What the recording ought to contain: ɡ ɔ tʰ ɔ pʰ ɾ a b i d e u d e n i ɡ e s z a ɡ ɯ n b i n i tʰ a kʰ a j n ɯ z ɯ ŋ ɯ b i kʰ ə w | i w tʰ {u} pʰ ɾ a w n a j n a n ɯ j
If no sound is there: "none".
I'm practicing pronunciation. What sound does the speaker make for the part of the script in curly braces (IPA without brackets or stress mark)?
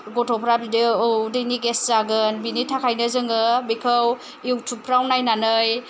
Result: u